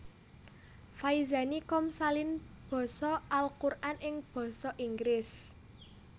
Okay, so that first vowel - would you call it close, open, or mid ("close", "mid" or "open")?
open